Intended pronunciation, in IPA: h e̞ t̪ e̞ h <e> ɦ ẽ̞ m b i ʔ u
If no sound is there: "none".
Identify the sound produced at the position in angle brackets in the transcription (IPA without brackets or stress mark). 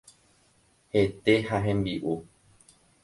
a